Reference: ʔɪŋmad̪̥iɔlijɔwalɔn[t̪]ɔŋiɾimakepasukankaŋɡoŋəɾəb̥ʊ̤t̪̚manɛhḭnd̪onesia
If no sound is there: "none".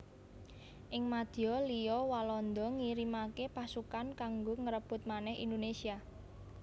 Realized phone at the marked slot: d̪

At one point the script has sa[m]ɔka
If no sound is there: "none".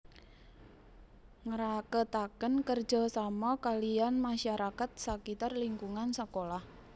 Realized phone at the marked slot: m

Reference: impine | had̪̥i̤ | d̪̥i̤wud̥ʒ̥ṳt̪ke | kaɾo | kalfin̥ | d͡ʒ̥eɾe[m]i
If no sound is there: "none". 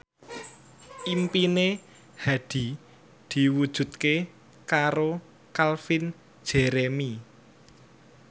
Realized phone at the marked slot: m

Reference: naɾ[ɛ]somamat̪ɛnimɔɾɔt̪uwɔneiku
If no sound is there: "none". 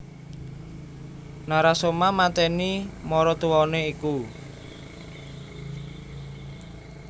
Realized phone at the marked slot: a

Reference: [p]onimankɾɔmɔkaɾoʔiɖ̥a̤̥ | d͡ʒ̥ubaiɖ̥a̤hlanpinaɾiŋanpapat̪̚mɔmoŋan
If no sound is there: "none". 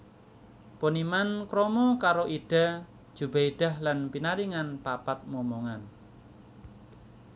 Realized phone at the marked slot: p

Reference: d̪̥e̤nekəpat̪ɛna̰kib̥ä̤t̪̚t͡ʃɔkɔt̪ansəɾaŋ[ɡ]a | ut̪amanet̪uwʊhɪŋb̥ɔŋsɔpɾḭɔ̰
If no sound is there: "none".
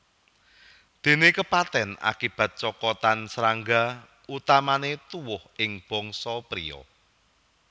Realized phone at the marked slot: ɡ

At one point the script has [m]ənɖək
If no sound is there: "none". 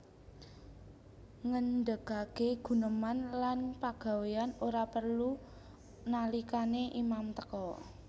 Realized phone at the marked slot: ŋ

